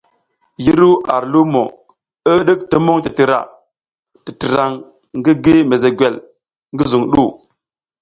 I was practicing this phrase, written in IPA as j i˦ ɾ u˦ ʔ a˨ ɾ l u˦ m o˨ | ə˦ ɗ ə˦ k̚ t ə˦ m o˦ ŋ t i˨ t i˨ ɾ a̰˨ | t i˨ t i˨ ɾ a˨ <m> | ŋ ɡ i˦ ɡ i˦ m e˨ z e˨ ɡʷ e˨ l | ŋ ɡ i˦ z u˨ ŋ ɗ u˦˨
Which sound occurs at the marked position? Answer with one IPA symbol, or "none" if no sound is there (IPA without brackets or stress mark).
ŋ